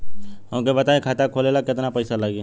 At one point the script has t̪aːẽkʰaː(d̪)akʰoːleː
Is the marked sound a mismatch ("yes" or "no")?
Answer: yes